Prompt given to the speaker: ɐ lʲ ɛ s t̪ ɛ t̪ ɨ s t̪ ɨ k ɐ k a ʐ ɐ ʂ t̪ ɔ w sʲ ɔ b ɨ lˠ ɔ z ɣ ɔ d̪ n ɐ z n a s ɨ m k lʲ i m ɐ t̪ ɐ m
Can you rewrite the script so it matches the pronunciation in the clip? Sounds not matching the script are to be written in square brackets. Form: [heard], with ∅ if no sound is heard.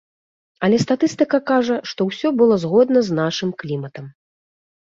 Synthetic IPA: ɐ lʲ ɛ s t̪ [a] t̪ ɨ s t̪ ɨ k ɐ k a ʐ ɐ ʂ t̪ ɔ w sʲ ɔ b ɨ lˠ ɔ z ɣ ɔ d̪ n ɐ z n a [ʂ] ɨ m k lʲ i m ɐ t̪ ɐ m